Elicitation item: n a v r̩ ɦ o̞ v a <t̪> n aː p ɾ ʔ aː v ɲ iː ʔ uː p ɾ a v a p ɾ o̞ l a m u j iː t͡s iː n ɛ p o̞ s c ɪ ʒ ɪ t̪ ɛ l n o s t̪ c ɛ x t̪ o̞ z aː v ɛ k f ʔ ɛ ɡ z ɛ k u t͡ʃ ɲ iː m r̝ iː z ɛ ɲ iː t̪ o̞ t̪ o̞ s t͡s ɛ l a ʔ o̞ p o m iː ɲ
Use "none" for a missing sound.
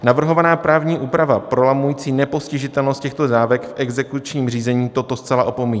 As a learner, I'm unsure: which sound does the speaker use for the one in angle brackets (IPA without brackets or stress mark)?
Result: none